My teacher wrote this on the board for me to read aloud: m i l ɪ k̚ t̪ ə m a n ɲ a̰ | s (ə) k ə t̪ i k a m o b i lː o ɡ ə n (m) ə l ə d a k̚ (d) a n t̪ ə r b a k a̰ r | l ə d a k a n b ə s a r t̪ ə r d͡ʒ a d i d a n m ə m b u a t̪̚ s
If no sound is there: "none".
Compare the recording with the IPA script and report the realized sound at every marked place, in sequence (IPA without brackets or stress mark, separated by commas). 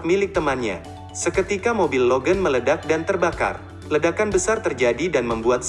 ə, m, d